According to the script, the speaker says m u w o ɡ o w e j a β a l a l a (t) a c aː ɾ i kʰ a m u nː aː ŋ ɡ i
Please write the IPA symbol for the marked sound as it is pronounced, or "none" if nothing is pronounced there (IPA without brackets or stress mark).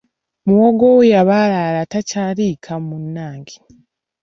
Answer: t